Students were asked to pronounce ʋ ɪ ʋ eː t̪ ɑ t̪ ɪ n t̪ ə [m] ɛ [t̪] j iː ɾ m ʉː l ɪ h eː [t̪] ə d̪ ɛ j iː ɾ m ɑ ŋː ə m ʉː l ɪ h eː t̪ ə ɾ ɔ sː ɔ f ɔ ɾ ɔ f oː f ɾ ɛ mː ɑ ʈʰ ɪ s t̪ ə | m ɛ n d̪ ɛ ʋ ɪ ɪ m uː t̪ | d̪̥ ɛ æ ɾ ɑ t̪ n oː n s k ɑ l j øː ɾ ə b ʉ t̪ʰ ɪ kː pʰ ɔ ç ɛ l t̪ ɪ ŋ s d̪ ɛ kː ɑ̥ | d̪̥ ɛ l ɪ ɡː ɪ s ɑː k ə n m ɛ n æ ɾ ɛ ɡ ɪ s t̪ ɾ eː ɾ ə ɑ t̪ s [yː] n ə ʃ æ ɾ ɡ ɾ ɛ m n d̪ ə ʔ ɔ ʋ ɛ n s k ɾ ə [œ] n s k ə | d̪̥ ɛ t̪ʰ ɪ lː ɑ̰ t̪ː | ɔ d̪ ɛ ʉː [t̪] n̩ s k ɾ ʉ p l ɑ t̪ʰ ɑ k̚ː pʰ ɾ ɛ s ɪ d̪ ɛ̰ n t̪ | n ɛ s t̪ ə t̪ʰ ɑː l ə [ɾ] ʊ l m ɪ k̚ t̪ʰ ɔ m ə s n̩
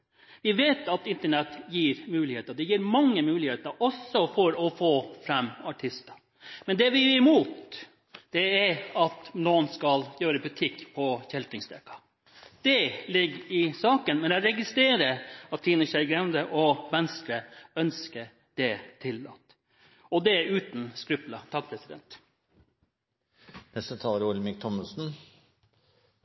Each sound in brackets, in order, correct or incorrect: incorrect: ɳ, correct, correct, incorrect: iː, correct, correct, correct

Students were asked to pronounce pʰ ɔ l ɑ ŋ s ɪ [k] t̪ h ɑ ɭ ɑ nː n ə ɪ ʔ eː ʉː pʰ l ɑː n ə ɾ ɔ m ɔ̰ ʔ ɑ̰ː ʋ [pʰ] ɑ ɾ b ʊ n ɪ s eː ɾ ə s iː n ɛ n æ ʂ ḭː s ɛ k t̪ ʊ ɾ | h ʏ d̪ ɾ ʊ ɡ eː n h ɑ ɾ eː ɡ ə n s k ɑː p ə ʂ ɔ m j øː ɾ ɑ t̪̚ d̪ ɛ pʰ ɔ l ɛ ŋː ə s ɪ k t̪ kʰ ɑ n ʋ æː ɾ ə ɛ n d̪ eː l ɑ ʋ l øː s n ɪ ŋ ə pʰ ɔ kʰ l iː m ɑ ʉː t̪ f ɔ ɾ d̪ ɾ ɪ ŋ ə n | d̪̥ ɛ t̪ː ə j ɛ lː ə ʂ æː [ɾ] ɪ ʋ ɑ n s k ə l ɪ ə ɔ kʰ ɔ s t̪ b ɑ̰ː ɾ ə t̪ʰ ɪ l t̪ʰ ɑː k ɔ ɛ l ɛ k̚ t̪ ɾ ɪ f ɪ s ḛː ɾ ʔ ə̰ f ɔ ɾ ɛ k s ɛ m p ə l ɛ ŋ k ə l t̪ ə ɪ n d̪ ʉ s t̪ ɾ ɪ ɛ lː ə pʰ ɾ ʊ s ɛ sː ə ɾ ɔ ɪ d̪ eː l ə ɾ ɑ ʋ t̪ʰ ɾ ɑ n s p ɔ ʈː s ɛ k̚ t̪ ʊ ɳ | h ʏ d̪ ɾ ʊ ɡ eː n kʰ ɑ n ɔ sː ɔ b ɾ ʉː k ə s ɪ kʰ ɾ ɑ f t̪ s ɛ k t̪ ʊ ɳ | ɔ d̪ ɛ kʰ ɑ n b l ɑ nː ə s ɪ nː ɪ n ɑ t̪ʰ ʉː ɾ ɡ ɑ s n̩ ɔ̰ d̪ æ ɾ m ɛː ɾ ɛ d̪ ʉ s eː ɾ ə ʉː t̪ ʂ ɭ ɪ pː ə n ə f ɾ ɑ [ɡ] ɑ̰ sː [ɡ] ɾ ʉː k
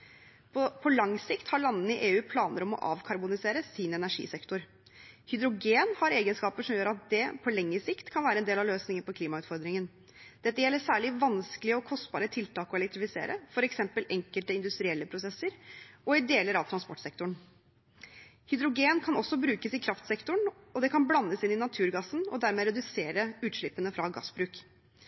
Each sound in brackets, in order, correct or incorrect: correct, incorrect: kʰ, incorrect: ɭ, correct, incorrect: b

